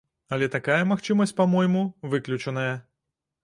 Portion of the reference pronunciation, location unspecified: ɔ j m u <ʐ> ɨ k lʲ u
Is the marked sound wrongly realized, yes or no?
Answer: yes